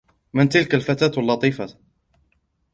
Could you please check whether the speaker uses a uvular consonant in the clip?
no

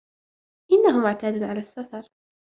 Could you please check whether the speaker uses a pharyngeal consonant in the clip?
yes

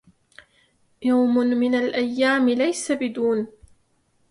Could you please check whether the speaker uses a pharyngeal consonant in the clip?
no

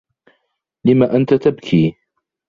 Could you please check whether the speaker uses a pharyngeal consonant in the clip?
no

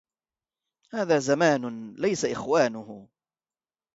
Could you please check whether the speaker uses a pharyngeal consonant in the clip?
no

